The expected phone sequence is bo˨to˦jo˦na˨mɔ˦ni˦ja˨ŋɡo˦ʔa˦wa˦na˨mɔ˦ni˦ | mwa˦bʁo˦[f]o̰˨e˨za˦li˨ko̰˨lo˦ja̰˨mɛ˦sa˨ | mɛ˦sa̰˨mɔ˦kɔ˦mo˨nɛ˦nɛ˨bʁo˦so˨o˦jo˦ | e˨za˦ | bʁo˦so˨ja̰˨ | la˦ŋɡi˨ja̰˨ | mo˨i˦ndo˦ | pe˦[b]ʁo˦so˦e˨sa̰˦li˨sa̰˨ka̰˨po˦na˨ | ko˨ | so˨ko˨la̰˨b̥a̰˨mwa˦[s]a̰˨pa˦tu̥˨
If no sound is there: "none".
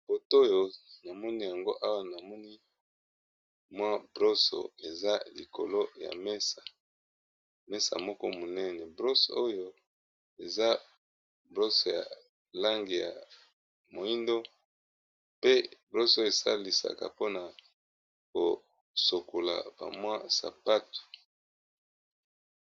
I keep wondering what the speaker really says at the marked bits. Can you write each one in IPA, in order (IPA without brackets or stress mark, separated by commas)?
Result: s, b, s